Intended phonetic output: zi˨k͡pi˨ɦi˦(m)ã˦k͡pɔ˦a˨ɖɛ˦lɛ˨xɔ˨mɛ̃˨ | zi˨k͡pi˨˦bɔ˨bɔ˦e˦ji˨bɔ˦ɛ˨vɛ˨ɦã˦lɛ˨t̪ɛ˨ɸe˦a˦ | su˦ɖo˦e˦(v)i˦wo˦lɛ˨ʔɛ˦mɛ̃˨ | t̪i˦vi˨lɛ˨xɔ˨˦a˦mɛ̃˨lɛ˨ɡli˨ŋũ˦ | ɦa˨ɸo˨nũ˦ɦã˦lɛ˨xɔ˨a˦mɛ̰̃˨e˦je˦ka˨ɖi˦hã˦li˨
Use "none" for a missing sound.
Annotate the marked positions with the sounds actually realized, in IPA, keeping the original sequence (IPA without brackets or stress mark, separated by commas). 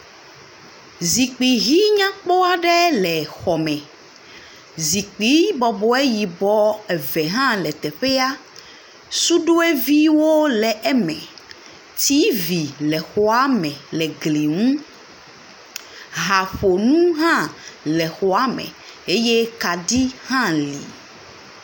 ɲ, v